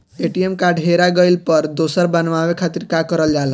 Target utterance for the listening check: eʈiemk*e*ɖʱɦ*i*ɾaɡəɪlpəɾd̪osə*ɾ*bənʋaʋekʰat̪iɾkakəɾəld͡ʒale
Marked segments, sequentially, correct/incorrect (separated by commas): incorrect, incorrect, correct